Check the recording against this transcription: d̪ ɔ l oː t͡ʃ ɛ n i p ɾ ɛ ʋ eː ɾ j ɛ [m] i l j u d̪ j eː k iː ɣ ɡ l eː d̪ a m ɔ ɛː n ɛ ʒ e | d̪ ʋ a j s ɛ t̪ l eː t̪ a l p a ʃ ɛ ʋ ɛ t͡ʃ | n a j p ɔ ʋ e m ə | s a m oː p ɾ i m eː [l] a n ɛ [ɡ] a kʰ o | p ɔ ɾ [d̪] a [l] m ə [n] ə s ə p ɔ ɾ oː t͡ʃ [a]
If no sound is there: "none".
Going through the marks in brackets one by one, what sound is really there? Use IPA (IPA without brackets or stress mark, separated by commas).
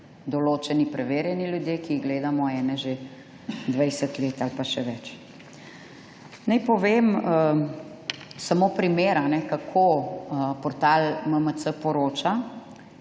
n, ɾ, k, t̪, l, m, a